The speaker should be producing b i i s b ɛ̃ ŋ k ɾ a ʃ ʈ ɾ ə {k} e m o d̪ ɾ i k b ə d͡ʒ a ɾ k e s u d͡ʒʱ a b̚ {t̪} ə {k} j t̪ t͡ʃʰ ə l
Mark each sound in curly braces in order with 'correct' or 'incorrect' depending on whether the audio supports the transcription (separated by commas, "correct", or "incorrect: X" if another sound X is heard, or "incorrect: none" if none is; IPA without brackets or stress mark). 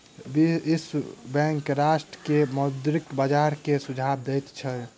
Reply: correct, incorrect: d̪, incorrect: none